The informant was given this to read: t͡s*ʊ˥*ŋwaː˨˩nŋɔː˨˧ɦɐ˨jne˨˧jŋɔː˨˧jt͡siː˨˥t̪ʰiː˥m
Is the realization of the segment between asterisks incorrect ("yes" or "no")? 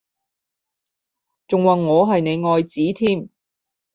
yes